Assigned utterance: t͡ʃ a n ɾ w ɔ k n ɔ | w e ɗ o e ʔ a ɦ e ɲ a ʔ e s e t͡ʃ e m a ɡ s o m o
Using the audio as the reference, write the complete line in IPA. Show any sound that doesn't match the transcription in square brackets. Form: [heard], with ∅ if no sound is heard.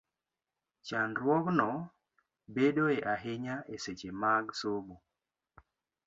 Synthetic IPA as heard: t͡ʃ a n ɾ w ɔ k n ɔ | [b] e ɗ o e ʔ a ɦ e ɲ a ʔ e s e t͡ʃ e m a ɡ s o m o